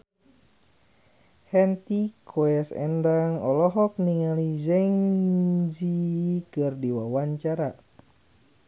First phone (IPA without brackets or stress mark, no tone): h